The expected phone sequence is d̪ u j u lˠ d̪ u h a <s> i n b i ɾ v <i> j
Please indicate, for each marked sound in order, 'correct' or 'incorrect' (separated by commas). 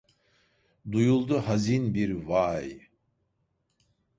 incorrect, incorrect